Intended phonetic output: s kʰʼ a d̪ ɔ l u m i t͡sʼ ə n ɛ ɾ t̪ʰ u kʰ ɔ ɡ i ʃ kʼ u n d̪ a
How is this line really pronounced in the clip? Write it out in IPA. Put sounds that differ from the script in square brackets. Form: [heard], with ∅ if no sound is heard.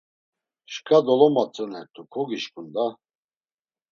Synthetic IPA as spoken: [ʃ] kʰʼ a d̪ ɔ l [ɔ] m [a] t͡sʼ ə n ɛ ɾ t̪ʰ u kʰ ɔ ɡ i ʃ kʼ u n d̪ a